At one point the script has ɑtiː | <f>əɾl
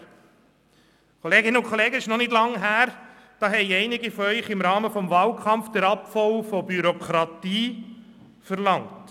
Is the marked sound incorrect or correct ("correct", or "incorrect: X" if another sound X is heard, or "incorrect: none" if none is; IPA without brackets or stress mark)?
correct